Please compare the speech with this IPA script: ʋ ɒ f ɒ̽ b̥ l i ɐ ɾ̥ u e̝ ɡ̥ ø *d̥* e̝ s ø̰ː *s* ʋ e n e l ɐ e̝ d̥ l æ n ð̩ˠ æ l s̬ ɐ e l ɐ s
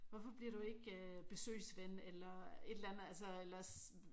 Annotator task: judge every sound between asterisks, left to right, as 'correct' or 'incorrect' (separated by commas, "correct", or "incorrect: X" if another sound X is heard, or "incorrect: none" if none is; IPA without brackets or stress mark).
incorrect: b̥, correct